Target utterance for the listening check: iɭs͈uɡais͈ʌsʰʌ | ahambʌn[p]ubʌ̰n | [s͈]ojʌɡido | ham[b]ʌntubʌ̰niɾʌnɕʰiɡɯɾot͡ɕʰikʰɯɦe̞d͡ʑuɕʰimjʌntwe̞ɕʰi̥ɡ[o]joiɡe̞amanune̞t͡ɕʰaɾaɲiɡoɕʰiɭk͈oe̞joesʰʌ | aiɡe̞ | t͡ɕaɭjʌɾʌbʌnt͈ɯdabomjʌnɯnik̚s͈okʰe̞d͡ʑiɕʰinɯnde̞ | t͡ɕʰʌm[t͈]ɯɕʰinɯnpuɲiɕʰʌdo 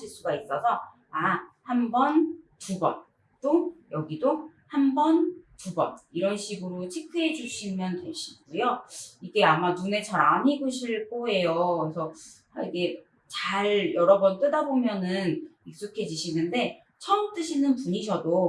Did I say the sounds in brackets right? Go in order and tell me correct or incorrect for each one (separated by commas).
incorrect, incorrect, correct, incorrect, correct